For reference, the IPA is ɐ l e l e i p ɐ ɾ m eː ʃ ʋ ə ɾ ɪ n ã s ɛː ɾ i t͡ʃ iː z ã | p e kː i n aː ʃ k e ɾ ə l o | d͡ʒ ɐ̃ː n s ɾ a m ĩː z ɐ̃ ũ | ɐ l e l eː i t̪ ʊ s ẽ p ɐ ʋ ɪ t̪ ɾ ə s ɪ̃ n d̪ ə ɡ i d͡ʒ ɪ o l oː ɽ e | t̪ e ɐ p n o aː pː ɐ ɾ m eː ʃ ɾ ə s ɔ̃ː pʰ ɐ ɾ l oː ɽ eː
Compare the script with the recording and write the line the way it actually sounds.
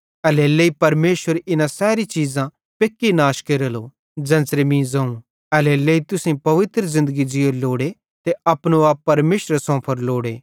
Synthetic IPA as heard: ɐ l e l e i p ɐ ɾ m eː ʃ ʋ ə ɾ ɪ n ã s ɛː ɾ i t͡ʃ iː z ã | p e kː i n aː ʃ k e ɾ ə l o | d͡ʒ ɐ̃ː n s ɾ e m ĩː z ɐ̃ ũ | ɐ l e l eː i t̪ ʊ s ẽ p ɐ ʋ ɪ t̪ ɾ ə z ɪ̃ n d̪ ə ɡ i d͡ʒ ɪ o l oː ɽ e | t̪ e ɐ p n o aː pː ɐ ɾ m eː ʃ ɾ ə s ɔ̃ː pʰ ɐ ɾ l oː ɽ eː